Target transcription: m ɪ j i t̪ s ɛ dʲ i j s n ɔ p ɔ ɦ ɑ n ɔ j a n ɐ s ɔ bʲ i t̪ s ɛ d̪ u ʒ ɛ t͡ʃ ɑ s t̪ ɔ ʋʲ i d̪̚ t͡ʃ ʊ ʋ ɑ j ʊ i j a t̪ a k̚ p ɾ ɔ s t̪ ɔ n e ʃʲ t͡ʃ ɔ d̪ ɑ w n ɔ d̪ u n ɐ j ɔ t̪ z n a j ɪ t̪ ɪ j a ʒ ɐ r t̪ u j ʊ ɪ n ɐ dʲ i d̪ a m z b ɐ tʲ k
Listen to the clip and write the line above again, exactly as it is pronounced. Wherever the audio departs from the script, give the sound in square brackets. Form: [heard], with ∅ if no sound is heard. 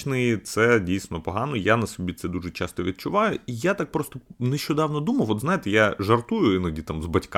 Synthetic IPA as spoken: [n] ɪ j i t̪ s ɛ dʲ i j s n ɔ p ɔ ɦ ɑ n ɔ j a n ɐ s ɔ bʲ i t̪ s ɛ d̪ u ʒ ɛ t͡ʃ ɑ s t̪ ɔ ʋʲ i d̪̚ t͡ʃ ʊ ʋ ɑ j ʊ i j a t̪ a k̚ p ɾ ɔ s t̪ ɔ n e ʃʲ t͡ʃ ɔ d̪ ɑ w n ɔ d̪ u [m] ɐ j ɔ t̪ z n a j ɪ t̪ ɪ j a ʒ ɐ r t̪ u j ʊ ɪ n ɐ dʲ i [t̪] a m z b ɐ tʲ k